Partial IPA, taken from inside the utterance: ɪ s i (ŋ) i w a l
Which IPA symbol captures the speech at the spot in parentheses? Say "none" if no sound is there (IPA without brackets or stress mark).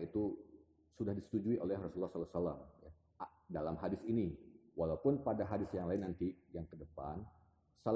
n